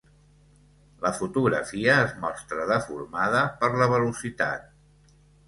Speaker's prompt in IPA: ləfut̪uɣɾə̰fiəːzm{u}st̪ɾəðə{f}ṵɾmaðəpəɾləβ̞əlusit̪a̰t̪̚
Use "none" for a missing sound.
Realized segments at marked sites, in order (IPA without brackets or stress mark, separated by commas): ɔ, f